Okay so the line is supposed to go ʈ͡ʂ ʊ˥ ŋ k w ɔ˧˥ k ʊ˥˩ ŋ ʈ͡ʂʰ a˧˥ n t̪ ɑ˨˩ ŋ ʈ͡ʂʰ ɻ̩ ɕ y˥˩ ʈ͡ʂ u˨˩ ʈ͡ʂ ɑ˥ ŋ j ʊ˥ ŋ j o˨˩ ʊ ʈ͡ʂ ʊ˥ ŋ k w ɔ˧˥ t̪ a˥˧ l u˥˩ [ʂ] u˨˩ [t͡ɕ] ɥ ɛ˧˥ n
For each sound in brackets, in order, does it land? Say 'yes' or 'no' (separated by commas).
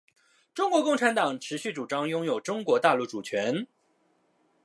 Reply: no, no